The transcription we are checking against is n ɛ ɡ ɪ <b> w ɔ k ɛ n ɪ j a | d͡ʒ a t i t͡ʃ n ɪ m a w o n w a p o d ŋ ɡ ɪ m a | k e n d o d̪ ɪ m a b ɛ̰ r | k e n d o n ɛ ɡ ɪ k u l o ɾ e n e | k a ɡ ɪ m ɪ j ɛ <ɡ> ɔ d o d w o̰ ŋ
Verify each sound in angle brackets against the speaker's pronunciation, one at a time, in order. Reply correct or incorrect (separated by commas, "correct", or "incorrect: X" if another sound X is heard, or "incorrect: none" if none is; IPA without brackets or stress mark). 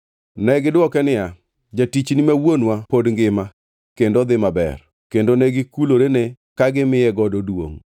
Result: incorrect: d, correct